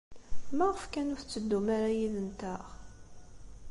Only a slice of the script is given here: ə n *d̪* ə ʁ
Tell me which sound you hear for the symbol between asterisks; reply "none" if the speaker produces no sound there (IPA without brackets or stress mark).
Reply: t̪